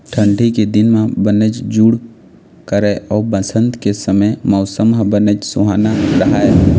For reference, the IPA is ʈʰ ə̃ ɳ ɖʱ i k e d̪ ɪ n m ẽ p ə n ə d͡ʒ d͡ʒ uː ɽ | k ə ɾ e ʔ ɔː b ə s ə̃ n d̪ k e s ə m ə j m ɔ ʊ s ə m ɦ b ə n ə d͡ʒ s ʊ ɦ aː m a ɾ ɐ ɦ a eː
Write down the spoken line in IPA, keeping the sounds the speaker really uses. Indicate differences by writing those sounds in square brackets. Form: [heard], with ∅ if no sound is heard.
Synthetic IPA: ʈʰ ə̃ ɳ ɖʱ i k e d̪ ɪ n m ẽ [b] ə n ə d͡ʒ d͡ʒ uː ɽ | k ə ɾ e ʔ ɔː b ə s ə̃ n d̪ k e s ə m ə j m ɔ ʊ s ə m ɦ b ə n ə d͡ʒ s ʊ ɦ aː [n] a ɾ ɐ ɦ a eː

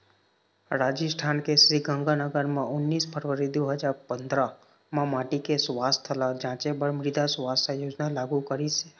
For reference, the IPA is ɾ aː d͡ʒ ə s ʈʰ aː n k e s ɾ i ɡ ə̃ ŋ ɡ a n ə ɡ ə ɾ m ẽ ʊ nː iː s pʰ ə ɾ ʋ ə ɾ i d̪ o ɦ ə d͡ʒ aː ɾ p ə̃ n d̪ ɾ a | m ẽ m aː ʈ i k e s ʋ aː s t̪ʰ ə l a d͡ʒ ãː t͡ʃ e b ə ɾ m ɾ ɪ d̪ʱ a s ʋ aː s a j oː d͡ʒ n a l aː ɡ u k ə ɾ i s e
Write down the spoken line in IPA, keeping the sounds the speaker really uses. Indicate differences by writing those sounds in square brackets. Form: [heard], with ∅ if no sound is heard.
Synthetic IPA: ɾ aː d͡ʒ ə s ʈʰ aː n k e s ɾ i ɡ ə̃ ŋ ɡ a n ə ɡ ə ɾ m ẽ ʊ nː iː s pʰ ə ɾ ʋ ə ɾ i d̪ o ɦ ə d͡ʒ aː ɾ p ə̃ n d̪ ɾ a | m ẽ m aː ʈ i k e s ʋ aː s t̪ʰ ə l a d͡ʒ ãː t͡ʃ e b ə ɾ m ɾ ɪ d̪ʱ a s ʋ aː s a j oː d͡ʒ n a l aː ɡ u k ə ɾ i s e

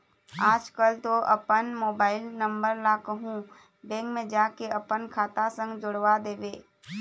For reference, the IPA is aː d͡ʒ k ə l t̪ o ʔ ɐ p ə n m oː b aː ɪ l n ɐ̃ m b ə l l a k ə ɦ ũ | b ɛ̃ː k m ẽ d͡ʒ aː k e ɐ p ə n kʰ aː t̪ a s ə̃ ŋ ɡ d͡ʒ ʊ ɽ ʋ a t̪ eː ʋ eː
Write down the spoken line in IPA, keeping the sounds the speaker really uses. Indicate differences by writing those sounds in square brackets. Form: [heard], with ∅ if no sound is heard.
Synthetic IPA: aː d͡ʒ k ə l t̪ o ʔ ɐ p ə n m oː b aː ɪ l n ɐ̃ m b ə [ɾ] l a k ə ɦ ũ | b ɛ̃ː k m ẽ d͡ʒ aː k e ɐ p ə n kʰ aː t̪ a s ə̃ ŋ ɡ d͡ʒ ʊ ɽ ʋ a [d̪] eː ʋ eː

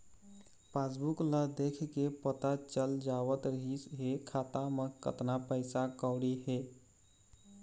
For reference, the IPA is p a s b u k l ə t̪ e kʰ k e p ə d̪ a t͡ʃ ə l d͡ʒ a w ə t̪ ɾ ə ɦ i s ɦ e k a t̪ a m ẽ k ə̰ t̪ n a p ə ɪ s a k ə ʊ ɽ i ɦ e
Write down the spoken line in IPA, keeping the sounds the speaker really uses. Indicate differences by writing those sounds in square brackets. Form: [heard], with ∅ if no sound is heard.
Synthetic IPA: p a s b u k l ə [d̪] e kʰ k e p ə [t̪] a t͡ʃ ə l d͡ʒ a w ə t̪ ɾ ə ɦ i s ɦ e [kʰ] a t̪ a m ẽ k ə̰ t̪ n a p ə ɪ s a k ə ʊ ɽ i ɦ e

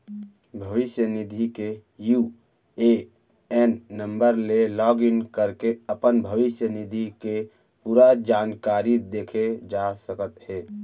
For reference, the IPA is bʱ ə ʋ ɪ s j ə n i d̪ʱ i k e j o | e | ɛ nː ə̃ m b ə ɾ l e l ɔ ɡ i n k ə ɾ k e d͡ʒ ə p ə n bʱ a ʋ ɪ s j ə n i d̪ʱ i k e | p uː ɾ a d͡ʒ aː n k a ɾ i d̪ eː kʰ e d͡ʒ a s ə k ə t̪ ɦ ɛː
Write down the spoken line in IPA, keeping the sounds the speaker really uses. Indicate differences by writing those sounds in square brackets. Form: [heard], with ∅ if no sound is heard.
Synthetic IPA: bʱ ə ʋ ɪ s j ə n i d̪ʱ i k e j [u] | e | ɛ nː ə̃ m b ə ɾ l e l ɔ ɡ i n k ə ɾ k e [∅] ə p ə n bʱ [ə] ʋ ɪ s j ə n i d̪ʱ i k e | p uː ɾ a d͡ʒ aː n k a ɾ i d̪ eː kʰ e d͡ʒ a s ə k ə t̪ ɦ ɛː

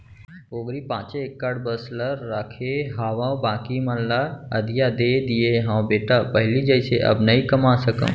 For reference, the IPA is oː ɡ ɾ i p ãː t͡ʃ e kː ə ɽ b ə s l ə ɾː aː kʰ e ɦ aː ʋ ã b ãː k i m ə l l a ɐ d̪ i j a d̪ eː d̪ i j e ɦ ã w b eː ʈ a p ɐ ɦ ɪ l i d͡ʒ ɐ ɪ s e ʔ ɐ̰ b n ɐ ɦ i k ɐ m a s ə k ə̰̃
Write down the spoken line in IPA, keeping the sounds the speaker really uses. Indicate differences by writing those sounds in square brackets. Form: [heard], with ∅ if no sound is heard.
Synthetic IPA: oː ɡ ɾ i p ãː t͡ʃ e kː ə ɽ b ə s l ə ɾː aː kʰ e ɦ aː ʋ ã b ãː k i m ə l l a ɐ d̪ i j a d̪ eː d̪ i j e ɦ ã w b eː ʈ a p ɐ ɦ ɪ l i d͡ʒ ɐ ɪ s e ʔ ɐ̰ b n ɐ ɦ i k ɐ m a s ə k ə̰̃

